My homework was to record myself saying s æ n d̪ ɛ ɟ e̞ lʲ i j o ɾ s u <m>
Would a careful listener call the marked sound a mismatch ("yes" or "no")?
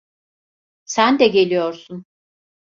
yes